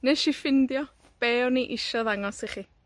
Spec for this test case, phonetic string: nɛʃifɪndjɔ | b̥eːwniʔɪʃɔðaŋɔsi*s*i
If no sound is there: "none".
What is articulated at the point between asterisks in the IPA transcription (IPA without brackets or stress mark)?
χ